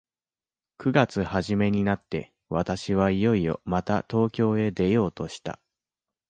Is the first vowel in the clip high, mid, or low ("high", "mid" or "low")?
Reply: high